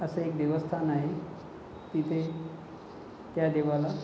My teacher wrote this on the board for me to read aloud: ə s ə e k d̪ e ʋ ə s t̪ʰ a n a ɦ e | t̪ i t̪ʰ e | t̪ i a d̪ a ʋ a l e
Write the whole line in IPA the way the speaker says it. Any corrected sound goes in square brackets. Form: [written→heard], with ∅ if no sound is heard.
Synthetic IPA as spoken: ə s ə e k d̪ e ʋ ə s t̪ʰ a n a ɦ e | t̪ i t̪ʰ e | t̪ [i→j] a d̪ [a→e] ʋ a l [e→a]